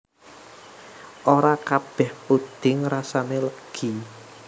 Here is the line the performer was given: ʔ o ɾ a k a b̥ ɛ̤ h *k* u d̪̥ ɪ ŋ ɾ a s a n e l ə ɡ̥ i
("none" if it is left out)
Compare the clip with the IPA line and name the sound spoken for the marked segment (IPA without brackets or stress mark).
p